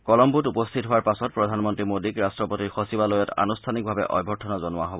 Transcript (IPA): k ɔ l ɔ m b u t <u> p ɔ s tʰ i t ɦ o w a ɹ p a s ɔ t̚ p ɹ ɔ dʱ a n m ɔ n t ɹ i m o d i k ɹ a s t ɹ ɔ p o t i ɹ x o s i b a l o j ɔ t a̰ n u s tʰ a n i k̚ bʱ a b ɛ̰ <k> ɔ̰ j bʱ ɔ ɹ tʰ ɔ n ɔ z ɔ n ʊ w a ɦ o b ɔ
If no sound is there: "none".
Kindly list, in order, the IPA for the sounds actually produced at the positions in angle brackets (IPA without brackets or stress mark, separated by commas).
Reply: u, ʔ